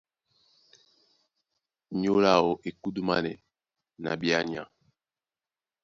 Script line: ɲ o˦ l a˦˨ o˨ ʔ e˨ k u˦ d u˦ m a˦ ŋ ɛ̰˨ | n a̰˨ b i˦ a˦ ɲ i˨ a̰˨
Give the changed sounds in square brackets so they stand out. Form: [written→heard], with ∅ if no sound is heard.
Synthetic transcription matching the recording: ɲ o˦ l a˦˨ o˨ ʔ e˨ k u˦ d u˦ m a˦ [ŋ→n] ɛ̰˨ | n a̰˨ b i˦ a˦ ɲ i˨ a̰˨

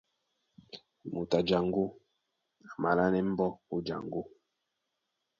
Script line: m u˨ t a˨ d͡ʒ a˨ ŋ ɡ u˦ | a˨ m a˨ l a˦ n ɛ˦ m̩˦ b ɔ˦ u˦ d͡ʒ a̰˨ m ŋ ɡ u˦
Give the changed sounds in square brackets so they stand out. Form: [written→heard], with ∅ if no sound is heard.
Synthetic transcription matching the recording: m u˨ t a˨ d͡ʒ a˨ ŋ ɡ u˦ | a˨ m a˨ l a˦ n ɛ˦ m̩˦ b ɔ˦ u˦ d͡ʒ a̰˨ [m→∅] ŋ ɡ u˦

